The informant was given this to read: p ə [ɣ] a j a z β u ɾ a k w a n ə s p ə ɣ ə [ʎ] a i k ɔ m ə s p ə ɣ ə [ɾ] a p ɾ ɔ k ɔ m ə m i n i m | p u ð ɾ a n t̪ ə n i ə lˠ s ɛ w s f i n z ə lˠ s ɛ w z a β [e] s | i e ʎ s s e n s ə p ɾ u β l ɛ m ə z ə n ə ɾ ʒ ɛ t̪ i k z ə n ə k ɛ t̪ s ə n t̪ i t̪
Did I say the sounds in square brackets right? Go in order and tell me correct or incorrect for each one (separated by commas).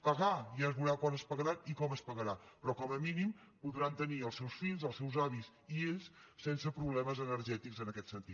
correct, incorrect, correct, incorrect